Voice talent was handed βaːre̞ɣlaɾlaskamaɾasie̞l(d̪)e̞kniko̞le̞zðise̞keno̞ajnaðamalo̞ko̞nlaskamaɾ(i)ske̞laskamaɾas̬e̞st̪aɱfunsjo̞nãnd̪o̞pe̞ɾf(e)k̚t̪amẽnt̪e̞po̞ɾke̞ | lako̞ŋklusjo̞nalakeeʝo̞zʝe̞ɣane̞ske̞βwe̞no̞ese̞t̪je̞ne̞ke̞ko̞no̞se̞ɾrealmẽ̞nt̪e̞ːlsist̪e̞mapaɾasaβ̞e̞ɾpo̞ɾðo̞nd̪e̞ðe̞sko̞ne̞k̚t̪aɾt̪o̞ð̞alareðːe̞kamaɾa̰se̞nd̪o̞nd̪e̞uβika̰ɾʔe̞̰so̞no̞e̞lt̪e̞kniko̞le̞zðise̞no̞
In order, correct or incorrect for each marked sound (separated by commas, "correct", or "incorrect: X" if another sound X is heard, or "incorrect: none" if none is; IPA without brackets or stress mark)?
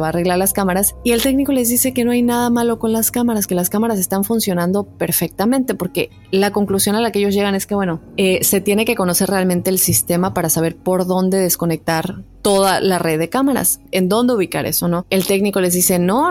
incorrect: t̪, incorrect: a, correct